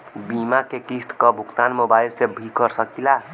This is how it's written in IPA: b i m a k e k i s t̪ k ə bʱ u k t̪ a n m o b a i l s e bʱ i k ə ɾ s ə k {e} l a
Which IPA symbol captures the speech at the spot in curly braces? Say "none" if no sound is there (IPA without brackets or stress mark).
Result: i